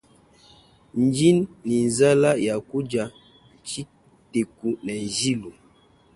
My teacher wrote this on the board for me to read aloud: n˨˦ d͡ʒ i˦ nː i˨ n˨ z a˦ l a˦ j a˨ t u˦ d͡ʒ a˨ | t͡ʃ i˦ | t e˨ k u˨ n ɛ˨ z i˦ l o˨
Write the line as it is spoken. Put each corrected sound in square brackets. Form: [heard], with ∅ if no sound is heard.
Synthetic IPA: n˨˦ d͡ʒ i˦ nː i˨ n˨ z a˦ l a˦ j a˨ [k] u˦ d͡ʒ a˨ | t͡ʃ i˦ | t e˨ k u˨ n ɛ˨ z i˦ l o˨